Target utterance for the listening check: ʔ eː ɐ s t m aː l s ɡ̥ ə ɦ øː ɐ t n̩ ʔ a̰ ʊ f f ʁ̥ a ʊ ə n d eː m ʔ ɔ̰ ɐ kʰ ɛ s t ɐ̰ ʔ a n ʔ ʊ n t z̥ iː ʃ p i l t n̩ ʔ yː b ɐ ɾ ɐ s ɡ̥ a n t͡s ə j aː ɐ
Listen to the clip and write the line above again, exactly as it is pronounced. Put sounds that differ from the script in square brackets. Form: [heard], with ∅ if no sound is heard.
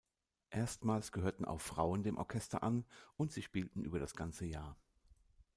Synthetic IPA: ʔ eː ɐ s t m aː l s ɡ̥ ə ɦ øː ɐ t n̩ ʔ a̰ ʊ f f ʁ̥ a ʊ ə n d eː m ʔ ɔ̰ ɐ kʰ ɛ s t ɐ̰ ʔ a n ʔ ʊ n t z̥ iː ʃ p [iː] l t n̩ ʔ yː b ɐ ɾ [a] s ɡ̥ a n t͡s ə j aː ɐ